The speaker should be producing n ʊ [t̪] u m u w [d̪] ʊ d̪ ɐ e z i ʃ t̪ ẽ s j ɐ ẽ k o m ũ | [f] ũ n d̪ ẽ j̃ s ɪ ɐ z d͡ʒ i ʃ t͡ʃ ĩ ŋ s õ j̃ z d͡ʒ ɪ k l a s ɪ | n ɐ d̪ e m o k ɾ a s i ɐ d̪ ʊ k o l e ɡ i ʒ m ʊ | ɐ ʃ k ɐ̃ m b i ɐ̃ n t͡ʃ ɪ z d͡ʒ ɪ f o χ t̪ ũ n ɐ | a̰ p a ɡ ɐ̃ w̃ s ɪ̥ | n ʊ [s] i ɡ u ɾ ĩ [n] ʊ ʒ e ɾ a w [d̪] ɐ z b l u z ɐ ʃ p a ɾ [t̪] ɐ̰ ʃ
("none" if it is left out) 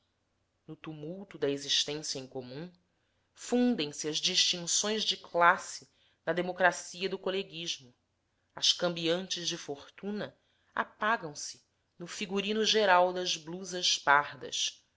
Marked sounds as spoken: t̪, t̪, f, f, n, d̪, d̪

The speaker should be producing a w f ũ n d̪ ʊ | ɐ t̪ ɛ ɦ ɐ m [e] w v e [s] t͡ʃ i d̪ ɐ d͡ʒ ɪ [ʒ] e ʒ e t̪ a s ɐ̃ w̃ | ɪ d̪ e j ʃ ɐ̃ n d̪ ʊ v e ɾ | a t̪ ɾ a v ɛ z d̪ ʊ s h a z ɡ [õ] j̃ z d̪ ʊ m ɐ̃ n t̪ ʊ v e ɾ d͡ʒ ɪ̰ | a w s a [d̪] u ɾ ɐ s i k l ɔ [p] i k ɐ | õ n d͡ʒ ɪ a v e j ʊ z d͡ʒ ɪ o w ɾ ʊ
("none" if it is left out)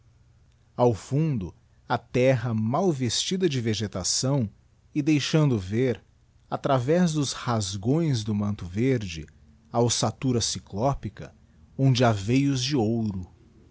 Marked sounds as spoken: a, s, v, õ, t̪, p

